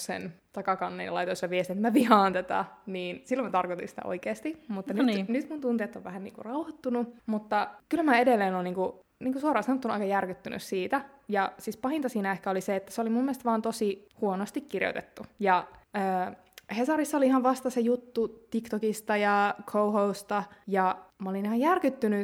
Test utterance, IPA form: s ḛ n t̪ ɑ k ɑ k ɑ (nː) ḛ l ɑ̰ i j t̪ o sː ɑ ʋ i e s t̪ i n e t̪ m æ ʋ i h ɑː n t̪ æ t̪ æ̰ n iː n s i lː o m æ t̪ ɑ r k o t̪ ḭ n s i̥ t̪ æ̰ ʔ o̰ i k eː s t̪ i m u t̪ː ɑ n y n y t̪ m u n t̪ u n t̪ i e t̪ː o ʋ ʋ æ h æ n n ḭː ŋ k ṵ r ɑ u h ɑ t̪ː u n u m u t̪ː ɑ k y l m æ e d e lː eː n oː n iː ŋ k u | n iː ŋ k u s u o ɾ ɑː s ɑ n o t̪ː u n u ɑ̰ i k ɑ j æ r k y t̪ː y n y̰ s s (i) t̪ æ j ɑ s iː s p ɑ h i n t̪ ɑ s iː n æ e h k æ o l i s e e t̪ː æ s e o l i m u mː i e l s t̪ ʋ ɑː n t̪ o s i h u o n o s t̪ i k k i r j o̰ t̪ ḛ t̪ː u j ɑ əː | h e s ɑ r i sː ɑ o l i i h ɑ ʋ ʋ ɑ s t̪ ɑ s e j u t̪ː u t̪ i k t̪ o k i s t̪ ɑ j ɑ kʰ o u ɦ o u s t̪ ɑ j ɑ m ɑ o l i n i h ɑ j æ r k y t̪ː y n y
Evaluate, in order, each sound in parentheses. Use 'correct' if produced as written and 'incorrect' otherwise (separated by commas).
correct, incorrect